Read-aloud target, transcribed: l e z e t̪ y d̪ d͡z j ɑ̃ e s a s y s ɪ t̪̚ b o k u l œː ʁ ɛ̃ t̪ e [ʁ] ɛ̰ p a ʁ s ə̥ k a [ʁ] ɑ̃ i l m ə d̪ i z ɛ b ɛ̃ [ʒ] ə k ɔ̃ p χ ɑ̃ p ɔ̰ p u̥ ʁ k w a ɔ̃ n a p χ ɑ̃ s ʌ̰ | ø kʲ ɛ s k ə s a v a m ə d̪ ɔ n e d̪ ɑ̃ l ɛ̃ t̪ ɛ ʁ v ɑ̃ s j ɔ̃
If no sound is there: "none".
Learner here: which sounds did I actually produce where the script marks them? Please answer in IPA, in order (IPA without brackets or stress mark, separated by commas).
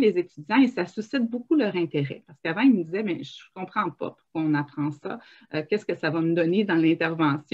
ʁ, v, ʒ